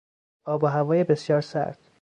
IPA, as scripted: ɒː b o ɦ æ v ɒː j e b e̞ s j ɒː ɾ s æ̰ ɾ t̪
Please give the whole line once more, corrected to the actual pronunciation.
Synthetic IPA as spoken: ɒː b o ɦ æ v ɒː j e b e̞ s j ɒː ɾ s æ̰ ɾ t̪